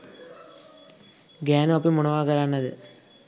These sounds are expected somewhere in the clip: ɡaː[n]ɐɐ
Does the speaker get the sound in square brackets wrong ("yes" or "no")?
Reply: no